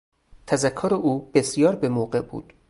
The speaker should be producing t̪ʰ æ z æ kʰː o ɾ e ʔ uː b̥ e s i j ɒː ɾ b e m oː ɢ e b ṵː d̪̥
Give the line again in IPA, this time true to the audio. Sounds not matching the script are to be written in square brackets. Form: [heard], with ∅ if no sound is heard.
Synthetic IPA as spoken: t̪ʰ æ z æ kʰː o ɾ e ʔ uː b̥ e s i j ɒː ɾ b e m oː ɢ e b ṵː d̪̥